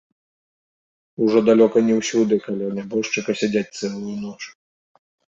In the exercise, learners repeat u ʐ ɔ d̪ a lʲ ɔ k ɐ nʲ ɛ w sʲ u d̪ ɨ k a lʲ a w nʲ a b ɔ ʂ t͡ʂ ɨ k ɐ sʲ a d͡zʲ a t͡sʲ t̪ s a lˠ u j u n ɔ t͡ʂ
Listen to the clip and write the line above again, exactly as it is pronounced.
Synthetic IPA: u ʐ ɔ d̪ a lʲ ɔ k ɐ nʲ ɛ w sʲ u d̪ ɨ k a lʲ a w nʲ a b ɔ ʂ t͡ʂ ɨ k ɐ sʲ a d͡zʲ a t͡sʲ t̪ s ɛ lˠ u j u n ɔ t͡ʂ